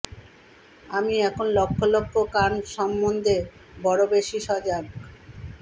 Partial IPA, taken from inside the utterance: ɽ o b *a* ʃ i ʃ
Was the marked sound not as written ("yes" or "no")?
yes